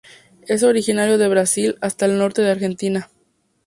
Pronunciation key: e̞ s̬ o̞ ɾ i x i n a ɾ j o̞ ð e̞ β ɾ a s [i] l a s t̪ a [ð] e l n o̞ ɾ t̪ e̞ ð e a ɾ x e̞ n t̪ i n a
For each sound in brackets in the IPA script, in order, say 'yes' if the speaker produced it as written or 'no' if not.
yes, no

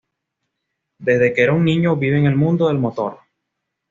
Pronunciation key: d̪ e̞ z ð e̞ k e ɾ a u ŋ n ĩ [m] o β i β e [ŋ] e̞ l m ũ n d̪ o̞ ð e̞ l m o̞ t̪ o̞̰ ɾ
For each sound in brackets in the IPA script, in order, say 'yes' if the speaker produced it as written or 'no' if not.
no, yes

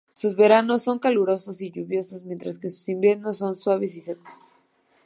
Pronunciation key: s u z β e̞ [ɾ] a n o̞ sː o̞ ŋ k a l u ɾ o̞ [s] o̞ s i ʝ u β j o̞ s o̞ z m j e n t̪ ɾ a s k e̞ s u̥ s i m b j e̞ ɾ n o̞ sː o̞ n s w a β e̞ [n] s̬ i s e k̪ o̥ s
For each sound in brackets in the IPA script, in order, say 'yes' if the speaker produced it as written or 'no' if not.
yes, yes, no

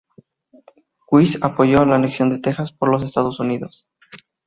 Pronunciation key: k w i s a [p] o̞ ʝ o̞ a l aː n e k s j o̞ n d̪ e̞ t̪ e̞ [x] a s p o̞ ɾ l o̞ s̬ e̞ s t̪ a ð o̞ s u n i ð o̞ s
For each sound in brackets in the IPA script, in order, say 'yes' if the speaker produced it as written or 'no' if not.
yes, yes

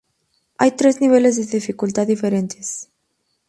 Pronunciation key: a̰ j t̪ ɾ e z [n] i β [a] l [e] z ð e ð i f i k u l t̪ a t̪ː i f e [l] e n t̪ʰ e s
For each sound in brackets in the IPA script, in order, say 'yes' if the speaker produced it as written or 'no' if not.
yes, no, yes, no

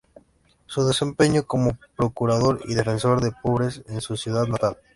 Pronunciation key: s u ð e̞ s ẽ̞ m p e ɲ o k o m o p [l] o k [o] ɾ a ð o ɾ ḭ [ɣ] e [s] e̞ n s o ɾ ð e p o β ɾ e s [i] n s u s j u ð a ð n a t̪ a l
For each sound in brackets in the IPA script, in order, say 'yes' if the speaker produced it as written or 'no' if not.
no, no, no, no, no

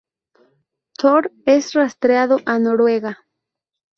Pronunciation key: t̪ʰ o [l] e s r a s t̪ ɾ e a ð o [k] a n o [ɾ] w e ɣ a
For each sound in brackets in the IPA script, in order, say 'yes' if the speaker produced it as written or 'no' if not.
no, no, yes

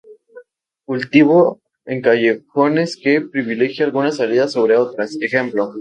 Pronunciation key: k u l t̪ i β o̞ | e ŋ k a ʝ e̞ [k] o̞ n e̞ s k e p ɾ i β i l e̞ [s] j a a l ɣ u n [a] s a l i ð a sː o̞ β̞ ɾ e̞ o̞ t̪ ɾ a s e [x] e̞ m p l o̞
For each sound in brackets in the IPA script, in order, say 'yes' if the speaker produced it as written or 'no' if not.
no, no, yes, yes

